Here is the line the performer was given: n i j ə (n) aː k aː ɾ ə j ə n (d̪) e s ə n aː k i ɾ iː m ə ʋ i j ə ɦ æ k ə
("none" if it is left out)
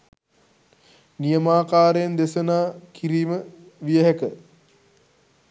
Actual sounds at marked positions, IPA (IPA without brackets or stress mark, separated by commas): m, d̪